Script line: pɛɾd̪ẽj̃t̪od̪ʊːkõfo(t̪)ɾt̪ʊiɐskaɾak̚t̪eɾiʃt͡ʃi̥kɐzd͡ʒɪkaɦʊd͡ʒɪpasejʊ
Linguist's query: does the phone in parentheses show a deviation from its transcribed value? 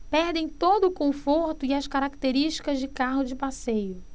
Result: yes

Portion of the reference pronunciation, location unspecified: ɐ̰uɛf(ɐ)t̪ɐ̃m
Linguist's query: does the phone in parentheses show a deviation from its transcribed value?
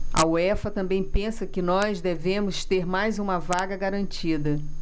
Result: no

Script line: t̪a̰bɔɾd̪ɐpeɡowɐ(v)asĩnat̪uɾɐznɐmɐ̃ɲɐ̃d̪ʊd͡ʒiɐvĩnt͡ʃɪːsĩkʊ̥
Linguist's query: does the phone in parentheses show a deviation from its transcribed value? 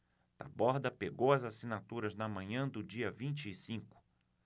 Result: yes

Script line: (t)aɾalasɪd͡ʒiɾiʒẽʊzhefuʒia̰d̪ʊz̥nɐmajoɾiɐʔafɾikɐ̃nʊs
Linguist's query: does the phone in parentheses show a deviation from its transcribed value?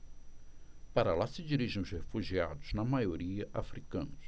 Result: yes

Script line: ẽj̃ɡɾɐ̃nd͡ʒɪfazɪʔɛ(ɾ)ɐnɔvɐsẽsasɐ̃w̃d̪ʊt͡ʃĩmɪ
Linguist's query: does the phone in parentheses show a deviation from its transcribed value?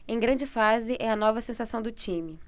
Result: yes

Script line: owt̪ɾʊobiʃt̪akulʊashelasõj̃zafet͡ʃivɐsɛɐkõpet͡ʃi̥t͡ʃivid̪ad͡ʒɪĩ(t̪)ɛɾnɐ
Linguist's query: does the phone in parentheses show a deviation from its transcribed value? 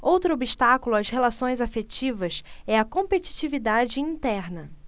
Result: no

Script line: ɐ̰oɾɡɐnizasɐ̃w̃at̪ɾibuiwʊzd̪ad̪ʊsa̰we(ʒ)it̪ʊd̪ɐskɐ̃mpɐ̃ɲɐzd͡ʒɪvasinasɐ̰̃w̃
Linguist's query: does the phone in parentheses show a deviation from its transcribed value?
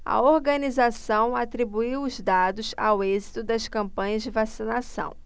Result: yes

